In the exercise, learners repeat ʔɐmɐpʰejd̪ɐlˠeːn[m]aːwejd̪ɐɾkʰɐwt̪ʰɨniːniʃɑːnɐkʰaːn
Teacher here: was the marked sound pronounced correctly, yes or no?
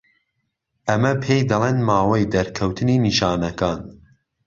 yes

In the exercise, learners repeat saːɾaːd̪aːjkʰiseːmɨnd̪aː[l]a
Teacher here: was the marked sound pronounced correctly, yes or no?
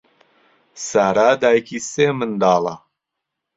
yes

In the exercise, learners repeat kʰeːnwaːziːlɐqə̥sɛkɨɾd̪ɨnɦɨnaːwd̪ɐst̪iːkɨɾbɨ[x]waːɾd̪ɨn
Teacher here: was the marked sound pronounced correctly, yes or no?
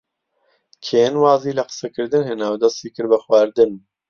yes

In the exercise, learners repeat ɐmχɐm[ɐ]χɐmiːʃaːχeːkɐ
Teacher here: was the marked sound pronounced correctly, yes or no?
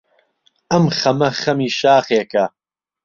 yes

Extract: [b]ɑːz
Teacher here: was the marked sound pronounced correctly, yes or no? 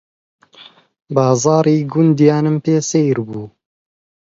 yes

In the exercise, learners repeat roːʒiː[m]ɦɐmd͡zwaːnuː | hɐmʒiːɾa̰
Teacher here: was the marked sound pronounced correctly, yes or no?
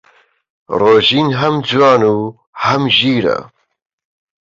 no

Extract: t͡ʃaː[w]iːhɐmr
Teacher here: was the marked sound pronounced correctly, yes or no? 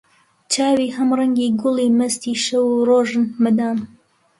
yes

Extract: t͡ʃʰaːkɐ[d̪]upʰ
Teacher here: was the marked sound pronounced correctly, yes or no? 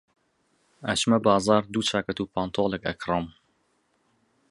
no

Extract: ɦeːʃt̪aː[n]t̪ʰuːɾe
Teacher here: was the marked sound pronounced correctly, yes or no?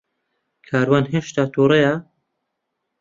no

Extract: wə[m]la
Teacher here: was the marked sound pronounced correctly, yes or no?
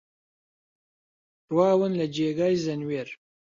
no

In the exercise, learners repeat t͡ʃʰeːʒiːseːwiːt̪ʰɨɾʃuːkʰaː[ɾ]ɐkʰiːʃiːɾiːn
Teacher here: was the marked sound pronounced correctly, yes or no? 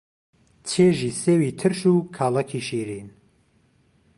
no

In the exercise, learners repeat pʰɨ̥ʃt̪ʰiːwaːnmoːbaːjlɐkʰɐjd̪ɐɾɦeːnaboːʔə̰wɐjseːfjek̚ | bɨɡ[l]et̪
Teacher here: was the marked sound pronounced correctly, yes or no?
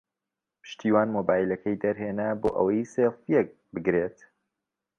no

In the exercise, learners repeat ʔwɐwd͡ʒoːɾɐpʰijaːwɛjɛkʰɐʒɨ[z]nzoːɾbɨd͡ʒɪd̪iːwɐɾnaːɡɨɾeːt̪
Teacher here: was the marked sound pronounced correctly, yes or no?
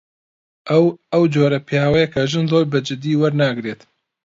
no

